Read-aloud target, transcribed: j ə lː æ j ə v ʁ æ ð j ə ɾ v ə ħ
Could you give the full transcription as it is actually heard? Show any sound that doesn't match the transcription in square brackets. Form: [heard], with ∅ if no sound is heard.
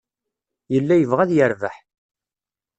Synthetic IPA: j ə lː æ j ə v ʁ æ ð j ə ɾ v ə ħ